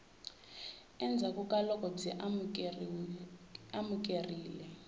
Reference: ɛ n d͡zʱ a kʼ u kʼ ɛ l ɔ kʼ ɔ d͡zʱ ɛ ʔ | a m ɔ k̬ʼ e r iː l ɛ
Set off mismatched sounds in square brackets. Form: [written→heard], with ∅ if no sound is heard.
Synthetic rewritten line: ɛ n d͡zʱ a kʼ u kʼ [ɛ→a] l ɔ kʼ ɔ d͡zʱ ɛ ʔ | a m [ɔ→u] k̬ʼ e r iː l ɛ